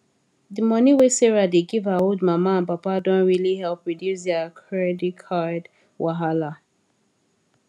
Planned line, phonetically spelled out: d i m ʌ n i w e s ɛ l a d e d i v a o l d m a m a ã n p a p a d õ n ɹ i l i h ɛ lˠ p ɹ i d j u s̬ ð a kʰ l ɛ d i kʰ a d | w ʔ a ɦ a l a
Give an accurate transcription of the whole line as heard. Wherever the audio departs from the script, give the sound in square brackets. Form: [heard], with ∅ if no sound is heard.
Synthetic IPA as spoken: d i m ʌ n i w e s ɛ [ɹ] a d e [ɡ] i v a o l d m a m a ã n p a p a d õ n ɹ i l i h ɛ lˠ p ɹ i d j u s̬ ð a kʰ [ɹ] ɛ d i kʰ a d | w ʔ a ɦ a l a